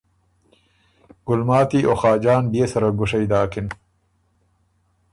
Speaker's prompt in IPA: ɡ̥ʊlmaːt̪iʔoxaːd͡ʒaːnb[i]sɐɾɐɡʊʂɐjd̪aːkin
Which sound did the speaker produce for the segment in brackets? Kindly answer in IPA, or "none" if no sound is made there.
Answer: e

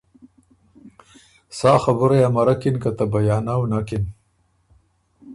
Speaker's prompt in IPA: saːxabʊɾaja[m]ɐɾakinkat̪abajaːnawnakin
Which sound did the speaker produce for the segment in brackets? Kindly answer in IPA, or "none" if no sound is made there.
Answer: m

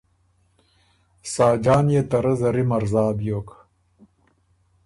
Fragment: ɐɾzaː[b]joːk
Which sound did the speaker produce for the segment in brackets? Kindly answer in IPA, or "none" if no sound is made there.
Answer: b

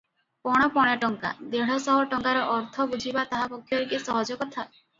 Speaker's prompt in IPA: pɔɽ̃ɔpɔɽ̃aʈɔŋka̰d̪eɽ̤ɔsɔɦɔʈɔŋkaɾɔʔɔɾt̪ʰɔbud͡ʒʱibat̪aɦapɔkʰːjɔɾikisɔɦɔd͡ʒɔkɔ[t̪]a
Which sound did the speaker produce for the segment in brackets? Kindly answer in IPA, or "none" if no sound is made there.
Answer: t̪ʰ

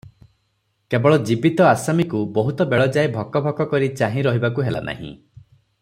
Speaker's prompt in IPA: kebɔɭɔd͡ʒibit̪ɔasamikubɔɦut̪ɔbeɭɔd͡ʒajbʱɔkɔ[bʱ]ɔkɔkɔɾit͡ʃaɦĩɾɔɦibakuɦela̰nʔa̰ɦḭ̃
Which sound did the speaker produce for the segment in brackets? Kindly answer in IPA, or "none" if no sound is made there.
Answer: bʱ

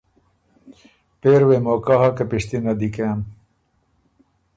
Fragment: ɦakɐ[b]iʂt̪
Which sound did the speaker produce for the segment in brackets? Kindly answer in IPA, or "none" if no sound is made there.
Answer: p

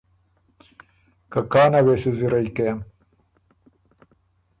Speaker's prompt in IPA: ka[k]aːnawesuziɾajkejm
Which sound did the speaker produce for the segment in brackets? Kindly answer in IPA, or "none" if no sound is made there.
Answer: k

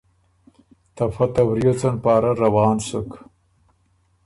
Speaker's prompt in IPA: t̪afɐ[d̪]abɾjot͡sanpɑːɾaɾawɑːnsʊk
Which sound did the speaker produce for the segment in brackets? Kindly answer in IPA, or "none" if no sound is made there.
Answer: t̪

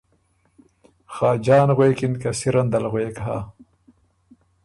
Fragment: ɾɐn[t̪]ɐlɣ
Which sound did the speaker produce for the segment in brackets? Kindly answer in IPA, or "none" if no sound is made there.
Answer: d̪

